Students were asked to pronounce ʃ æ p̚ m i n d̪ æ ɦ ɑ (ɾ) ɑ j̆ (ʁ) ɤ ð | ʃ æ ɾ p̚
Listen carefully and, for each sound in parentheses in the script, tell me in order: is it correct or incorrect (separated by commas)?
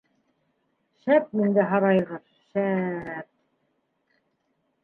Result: correct, correct